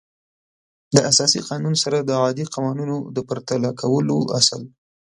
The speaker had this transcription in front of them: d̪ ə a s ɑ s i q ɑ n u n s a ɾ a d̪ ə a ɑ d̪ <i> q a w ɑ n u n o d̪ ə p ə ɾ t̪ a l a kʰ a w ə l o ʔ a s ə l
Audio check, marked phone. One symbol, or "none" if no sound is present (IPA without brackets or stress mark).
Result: i